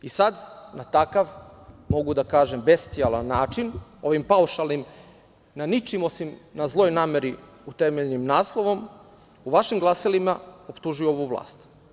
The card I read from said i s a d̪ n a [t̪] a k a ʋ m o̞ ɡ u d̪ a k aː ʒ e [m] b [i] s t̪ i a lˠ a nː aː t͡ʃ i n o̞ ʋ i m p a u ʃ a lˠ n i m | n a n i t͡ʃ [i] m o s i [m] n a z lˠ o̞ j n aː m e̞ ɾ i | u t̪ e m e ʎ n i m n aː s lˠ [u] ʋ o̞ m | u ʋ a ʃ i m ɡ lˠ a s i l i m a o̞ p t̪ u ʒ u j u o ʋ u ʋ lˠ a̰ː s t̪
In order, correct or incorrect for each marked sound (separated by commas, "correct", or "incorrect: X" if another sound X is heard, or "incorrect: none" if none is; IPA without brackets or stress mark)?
correct, correct, incorrect: e, correct, correct, incorrect: o